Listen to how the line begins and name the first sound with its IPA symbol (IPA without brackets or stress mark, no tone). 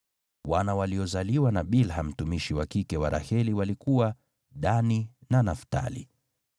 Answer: w